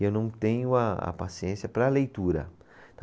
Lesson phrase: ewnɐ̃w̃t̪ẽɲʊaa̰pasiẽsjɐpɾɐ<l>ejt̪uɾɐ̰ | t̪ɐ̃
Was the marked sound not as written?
no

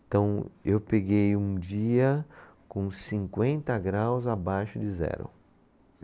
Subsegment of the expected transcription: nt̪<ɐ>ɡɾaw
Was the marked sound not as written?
no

